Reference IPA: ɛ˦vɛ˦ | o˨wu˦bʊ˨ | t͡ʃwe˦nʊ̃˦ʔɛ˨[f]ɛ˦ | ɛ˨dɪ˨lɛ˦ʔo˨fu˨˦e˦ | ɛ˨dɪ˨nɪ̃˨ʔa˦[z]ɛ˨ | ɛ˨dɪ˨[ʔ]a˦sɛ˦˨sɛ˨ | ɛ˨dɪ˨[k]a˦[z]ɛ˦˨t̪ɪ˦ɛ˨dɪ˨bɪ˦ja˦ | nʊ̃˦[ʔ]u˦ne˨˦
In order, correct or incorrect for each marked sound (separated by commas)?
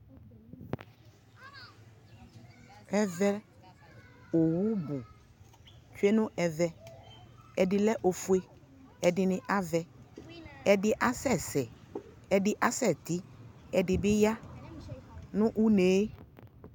incorrect, incorrect, correct, incorrect, incorrect, correct